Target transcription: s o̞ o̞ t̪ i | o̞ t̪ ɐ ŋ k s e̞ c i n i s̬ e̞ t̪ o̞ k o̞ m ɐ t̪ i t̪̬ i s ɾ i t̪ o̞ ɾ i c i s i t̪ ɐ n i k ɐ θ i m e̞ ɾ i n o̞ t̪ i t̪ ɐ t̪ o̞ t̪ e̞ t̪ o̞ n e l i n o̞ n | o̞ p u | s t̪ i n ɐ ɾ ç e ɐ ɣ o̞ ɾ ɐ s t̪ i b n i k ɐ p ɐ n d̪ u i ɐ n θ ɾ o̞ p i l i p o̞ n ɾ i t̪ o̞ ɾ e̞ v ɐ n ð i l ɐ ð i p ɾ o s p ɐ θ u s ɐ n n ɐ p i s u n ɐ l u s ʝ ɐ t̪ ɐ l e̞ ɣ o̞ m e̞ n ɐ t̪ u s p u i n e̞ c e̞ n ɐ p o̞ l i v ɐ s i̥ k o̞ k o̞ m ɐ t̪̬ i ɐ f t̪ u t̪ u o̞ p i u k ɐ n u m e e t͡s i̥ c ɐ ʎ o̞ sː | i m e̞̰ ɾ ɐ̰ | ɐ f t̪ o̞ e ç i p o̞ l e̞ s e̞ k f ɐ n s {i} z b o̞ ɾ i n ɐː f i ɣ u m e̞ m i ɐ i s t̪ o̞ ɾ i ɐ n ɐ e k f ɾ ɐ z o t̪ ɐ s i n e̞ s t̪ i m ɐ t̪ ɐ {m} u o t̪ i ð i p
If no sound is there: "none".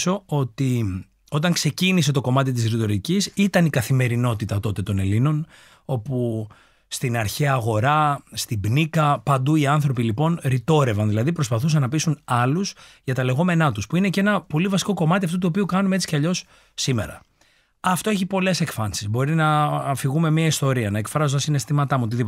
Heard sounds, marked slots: i, m

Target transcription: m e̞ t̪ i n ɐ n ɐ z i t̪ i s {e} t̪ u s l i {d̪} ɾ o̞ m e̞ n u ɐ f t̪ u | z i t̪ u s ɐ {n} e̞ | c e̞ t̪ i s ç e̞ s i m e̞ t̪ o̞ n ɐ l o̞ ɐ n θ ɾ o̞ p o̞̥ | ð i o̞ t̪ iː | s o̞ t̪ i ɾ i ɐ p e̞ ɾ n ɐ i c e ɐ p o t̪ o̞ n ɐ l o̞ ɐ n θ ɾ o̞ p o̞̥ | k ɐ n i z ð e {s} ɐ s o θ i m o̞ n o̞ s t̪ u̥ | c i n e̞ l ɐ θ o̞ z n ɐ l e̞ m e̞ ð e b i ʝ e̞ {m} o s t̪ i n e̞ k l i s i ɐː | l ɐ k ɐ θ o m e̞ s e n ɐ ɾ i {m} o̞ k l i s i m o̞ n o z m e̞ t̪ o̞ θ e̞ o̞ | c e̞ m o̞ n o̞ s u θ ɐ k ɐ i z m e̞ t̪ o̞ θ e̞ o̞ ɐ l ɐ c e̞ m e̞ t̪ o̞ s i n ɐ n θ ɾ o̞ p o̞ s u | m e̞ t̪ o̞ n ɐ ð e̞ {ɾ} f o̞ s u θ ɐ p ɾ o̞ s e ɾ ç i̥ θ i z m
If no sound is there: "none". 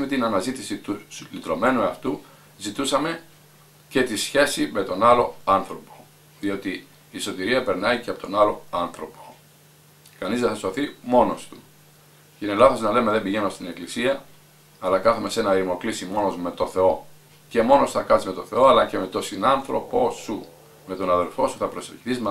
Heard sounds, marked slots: i, t̪, m, θ, n, m, l

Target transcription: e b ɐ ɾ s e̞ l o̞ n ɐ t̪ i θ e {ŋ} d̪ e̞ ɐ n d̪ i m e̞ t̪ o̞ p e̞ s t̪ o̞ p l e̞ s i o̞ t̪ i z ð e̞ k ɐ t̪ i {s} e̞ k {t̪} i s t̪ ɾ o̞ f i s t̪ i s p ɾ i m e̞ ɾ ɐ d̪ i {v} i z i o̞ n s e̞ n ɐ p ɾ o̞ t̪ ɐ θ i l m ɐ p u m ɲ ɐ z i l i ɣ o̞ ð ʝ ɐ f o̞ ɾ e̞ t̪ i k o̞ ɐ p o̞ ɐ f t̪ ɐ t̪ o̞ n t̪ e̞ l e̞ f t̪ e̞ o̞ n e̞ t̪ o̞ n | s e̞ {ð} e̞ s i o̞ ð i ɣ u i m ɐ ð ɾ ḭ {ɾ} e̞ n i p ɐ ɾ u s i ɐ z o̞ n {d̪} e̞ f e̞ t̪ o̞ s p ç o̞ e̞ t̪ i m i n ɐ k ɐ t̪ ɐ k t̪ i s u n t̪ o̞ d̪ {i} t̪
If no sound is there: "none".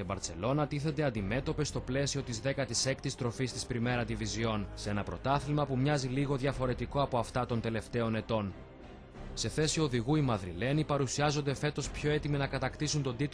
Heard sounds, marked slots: n, s, t̪, v, θ, l, d̪, i

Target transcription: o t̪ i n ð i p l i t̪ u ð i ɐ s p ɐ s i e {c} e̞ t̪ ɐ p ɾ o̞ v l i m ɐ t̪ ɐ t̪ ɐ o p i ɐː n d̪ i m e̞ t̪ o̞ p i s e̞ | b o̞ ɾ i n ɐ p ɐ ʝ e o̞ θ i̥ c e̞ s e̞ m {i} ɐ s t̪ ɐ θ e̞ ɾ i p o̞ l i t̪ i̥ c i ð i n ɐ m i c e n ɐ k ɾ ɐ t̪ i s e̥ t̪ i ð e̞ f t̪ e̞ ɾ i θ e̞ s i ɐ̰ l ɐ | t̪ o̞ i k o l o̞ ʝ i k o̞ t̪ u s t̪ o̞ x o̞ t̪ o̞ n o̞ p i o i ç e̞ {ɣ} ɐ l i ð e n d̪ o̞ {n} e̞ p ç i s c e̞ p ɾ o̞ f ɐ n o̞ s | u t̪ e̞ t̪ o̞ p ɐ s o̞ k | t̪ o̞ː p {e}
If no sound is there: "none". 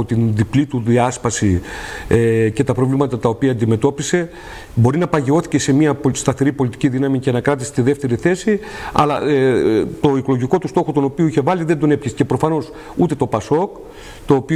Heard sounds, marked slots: c, i, v, n, i

